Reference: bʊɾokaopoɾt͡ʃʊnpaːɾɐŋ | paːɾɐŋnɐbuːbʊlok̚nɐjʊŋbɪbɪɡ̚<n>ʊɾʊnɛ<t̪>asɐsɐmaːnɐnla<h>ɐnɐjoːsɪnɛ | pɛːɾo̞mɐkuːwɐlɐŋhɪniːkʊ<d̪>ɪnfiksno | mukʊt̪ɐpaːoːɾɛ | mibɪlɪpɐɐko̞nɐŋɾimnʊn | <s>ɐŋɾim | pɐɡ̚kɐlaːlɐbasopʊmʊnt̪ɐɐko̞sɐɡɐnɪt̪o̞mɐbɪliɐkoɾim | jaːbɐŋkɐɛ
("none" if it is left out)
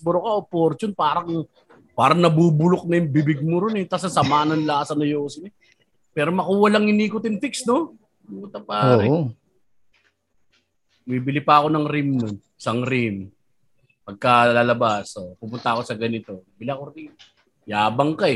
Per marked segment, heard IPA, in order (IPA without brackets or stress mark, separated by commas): m, t̪, s, t̪, s